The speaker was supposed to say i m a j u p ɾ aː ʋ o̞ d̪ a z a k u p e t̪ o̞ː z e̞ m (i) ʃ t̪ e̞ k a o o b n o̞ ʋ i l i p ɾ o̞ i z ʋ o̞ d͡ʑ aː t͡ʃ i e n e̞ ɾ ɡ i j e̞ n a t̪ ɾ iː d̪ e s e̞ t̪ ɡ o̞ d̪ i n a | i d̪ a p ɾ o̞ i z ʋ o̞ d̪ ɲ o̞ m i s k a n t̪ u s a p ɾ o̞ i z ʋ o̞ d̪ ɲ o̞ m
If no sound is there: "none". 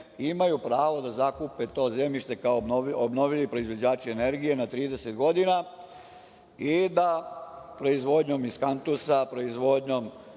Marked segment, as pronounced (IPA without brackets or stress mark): i